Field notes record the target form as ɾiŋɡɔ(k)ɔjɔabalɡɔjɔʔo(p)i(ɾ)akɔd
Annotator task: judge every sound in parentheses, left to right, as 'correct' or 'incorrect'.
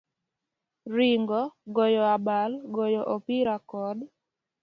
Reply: incorrect: ɡ, correct, correct

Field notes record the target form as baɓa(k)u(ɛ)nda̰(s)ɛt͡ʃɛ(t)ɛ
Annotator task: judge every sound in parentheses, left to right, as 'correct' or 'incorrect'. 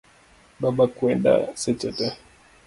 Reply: correct, correct, correct, correct

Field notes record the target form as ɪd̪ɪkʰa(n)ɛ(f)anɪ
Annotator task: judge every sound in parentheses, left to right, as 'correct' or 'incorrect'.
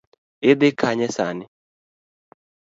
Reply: incorrect: ɲ, incorrect: s

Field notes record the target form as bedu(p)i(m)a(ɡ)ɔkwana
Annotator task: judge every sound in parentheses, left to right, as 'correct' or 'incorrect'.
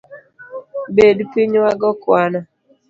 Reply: correct, incorrect: ɲ, correct

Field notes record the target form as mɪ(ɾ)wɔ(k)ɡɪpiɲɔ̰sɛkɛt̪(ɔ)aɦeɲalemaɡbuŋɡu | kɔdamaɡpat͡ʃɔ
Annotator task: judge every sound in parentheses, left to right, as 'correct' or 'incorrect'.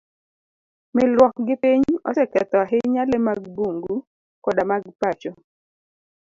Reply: incorrect: l, correct, correct

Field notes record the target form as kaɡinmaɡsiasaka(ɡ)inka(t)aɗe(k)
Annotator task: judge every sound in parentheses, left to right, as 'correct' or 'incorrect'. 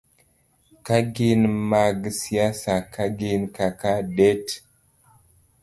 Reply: correct, incorrect: k, incorrect: t

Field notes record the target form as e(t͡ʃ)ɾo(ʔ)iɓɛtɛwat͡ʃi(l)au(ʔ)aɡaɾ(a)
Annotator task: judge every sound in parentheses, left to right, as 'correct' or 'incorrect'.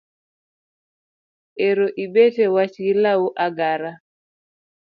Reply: incorrect: none, correct, correct, correct, correct

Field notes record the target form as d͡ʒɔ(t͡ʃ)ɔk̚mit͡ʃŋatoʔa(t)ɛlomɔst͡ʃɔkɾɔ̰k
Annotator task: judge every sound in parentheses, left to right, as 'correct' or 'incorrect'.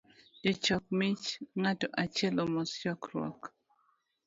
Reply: correct, incorrect: t͡ʃ

